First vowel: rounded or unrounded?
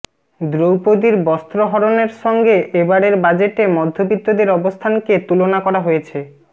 rounded